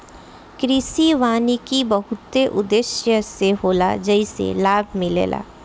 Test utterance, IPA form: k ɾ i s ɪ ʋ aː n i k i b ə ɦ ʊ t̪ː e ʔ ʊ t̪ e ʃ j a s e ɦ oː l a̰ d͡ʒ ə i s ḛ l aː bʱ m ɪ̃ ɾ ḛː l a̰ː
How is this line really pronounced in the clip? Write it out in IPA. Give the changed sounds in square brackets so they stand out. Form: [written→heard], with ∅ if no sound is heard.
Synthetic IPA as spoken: k ɾ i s [ɪ→i] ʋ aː n i k i b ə ɦ ʊ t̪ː e ʔ ʊ [t̪→d̪] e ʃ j [a→ə] s e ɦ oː l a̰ d͡ʒ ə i s ḛ l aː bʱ m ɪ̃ [ɾ→l] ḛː l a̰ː